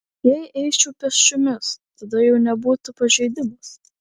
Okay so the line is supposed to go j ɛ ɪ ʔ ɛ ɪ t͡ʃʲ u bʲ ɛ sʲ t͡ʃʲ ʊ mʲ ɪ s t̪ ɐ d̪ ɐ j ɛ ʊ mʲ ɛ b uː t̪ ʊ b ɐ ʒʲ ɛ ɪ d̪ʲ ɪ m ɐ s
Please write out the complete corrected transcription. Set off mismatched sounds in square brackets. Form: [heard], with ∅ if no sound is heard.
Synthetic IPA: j ɛ ɪ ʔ ɛ ɪ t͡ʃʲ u [pʲ] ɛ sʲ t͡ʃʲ ʊ mʲ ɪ s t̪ ɐ d̪ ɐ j ɛ ʊ [nʲ] ɛ b uː t̪ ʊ [p] ɐ ʒʲ ɛ ɪ d̪ʲ ɪ m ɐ s